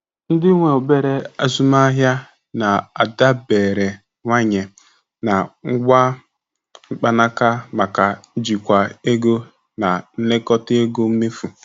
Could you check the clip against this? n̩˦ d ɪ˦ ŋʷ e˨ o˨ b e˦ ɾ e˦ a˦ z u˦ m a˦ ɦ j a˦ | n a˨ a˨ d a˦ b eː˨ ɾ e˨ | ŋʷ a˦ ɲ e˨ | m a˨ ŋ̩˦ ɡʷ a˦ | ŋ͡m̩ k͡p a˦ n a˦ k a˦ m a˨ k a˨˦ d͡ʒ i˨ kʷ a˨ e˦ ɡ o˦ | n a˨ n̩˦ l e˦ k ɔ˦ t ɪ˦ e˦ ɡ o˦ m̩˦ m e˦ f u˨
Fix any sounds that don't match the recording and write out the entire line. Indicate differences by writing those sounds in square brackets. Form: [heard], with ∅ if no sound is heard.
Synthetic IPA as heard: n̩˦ d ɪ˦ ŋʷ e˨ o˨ b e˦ ɾ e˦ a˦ z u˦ m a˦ ɦ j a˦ | n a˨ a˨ d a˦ b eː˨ ɾ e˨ | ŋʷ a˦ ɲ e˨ | [n] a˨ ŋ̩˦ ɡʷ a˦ | ŋ͡m̩ k͡p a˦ n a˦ k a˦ m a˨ k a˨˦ d͡ʒ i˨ kʷ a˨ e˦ ɡ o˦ | n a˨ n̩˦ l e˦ k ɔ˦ t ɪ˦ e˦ ɡ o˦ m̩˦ m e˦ f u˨